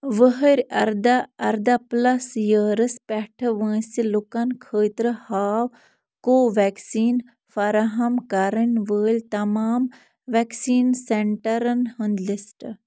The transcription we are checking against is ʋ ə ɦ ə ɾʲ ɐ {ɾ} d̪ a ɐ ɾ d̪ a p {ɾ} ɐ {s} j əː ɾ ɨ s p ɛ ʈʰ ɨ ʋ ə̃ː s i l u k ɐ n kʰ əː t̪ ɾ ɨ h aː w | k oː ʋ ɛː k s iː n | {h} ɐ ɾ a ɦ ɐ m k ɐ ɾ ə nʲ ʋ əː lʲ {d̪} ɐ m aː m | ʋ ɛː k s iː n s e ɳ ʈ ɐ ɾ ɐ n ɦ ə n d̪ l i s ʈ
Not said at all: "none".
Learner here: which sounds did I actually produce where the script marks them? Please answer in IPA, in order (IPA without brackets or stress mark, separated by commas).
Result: ɾ, l, s, f, t̪